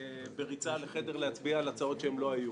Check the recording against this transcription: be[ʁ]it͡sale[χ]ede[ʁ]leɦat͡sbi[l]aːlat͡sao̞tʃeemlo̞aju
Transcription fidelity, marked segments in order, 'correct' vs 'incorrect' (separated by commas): correct, correct, correct, incorrect